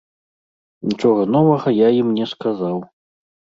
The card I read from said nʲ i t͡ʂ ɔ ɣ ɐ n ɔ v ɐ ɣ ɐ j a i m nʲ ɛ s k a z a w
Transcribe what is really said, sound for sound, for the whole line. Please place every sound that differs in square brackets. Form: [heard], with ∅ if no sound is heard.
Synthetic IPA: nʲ i t͡ʂ ɔ ɣ ɐ n ɔ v ɐ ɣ ɐ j a i m nʲ ɛ s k a z a w